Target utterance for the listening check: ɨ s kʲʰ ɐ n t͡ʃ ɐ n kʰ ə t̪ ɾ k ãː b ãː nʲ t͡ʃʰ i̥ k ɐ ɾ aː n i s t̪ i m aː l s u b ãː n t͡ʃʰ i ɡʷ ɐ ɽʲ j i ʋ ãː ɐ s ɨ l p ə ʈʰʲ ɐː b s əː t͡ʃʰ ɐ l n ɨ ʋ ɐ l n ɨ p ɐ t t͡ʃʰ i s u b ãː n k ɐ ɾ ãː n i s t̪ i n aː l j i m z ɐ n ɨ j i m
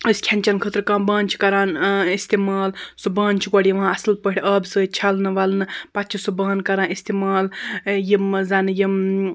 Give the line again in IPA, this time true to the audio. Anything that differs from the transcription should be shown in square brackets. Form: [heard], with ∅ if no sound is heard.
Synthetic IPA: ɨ s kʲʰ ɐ n t͡ʃ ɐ n kʰ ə t̪ ɾ k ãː b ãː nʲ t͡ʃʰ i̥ k ɐ ɾ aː n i s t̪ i m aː l s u b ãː n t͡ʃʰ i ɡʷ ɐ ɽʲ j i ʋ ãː ɐ s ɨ l p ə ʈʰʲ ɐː b s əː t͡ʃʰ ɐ l n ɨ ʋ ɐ l n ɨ p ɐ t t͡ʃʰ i s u b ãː n k ɐ ɾ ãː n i s t̪ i [m] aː l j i m z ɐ n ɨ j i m